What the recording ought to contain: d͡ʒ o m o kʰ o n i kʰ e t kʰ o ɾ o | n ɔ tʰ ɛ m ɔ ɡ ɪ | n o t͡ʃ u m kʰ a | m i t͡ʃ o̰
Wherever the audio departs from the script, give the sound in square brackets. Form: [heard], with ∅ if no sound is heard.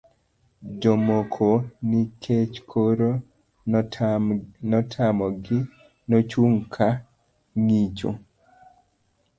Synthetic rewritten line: d͡ʒ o m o kʰ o n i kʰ e [t͡ʃ] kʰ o ɾ o | n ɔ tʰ [a] m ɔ ɡ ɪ | n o t͡ʃ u [ŋ] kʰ a | [ŋ] i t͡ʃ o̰